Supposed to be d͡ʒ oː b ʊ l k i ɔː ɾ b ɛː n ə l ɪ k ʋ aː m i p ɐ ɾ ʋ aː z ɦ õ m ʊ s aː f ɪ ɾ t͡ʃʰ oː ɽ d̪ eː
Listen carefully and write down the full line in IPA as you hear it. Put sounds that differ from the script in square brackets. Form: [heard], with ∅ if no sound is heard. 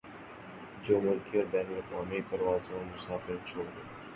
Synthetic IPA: d͡ʒ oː [m] ʊ l k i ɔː ɾ b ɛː n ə l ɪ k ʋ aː m i p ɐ ɾ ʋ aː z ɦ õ m ʊ s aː f ɪ ɾ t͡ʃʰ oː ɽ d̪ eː

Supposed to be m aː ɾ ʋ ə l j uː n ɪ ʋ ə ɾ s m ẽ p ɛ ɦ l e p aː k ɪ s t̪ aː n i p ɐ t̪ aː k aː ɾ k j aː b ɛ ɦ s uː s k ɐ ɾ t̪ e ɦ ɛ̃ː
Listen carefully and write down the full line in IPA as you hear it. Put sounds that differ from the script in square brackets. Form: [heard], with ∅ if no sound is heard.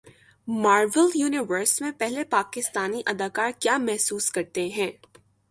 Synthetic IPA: m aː ɾ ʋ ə l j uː n ɪ ʋ ə ɾ s m ẽ p ɛ ɦ l e p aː k ɪ s t̪ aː n i [ʔ] ɐ [d̪] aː k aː ɾ k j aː [m] ɛ ɦ s uː s k ɐ ɾ t̪ e ɦ ɛ̃ː

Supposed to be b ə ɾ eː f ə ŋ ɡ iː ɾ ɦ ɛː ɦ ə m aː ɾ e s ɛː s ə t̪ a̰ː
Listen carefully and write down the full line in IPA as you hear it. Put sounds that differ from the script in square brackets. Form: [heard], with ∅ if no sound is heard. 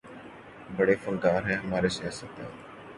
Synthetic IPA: b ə [ɽ] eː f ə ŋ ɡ [aː] ɾ ɦ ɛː ɦ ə m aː ɾ e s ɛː s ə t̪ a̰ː

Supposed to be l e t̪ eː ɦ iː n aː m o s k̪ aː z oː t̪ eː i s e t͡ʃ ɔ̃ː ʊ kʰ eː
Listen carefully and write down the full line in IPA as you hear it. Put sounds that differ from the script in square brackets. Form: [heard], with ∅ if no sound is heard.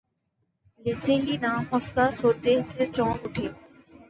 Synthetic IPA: l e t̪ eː ɦ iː n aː m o s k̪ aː [s] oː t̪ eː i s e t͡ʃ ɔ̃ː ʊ [ʈʰ] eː

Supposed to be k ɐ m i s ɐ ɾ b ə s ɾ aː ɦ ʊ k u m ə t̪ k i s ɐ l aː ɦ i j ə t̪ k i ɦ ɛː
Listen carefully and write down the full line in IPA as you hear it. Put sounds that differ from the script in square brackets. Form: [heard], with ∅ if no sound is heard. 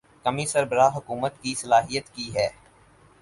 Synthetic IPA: k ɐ m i s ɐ ɾ b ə [∅] ɾ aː ɦ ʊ k [uː] m ə t̪ k i s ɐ l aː ɦ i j ə t̪ k i ɦ ɛː

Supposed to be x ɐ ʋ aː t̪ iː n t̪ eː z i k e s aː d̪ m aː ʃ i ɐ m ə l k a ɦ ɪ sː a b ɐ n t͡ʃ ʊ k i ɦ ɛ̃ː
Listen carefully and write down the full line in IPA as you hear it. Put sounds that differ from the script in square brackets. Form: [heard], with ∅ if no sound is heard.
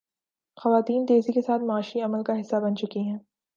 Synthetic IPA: x ɐ ʋ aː t̪ iː n t̪ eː z i k e s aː [t̪] m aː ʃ i ɐ m ə l k a ɦ ɪ sː a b ɐ n t͡ʃ ʊ k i ɦ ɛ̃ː

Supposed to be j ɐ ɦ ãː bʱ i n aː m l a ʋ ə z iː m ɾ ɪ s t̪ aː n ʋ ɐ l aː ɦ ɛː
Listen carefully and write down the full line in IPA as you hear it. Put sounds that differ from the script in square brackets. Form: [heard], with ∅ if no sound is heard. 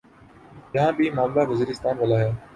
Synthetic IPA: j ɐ ɦ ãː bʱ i [m] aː m l a ʋ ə z iː [∅] ɾ ɪ s t̪ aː n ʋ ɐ l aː ɦ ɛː

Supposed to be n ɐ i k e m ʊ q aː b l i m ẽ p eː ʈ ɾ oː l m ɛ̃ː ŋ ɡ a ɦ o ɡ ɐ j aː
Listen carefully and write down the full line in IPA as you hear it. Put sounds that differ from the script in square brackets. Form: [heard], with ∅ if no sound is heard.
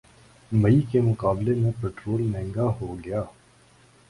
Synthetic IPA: [m] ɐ i k e m ʊ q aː b l [e] m ẽ p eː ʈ ɾ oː l m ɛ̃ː ŋ ɡ a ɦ o ɡ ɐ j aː

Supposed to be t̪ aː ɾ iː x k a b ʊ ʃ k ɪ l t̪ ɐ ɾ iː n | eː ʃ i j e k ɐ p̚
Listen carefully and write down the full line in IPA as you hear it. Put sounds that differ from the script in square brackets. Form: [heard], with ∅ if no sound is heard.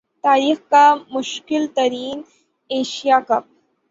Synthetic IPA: t̪ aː ɾ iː x k a [m] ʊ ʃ k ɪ l t̪ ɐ ɾ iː n | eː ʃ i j [a] k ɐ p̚

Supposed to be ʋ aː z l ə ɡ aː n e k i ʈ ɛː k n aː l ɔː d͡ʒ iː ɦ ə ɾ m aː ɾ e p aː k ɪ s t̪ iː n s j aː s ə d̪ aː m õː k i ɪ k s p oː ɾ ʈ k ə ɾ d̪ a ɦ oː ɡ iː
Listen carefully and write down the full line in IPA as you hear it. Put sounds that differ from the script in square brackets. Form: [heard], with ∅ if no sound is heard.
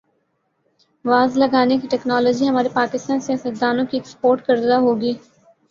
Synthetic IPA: ʋ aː z l ə ɡ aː n e k i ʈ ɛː k n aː l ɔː d͡ʒ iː ɦ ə [∅] m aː ɾ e p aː k ɪ s t̪ [aː] n s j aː s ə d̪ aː [n] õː k i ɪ k s p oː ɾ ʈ k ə ɾ d̪ a ɦ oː ɡ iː

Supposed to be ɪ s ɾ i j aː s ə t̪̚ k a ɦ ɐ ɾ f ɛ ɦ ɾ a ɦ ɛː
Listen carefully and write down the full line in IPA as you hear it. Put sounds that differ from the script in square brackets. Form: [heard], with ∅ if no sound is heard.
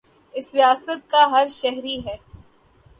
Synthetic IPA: ɪ s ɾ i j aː s ə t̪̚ k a ɦ ɐ ɾ [ʃ] ɛ ɦ ɾ [i] ɦ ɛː

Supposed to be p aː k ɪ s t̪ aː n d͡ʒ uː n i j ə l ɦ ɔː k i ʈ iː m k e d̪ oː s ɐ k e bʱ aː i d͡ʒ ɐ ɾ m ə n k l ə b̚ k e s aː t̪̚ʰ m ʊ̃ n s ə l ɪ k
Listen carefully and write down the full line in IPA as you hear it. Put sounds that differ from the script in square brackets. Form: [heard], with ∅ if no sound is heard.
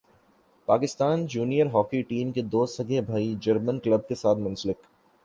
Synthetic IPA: p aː k ɪ s t̪ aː n d͡ʒ uː n i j ə [ɾ] ɦ ɔː k i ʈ iː m k e d̪ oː s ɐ [ɡ] e bʱ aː i d͡ʒ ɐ ɾ m ə n k l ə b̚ k e s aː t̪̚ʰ m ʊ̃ n s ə l ɪ k

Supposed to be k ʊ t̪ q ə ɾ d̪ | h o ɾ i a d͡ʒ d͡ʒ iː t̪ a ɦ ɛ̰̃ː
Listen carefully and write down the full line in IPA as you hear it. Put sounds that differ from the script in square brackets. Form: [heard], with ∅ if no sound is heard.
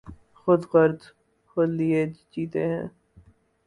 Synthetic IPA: [x] ʊ [d̪] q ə ɾ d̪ | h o [l] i [e] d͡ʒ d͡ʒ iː t̪ [e] ɦ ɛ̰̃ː

